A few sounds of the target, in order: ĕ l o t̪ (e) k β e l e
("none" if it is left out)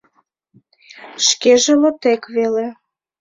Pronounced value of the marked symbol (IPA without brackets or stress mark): e